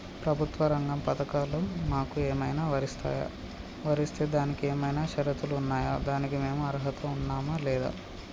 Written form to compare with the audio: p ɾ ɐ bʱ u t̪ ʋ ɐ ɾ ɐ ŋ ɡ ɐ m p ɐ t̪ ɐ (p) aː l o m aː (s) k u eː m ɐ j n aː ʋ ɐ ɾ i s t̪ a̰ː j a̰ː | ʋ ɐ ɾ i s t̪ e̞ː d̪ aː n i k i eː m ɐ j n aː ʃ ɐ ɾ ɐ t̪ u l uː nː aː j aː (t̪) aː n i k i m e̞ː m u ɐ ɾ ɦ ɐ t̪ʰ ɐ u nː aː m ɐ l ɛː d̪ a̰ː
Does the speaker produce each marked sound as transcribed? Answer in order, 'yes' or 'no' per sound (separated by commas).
no, no, no